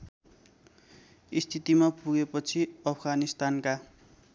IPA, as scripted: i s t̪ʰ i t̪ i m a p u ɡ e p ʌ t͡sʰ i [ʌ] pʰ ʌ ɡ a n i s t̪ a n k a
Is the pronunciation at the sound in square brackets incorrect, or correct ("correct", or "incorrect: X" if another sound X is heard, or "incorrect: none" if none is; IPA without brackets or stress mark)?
correct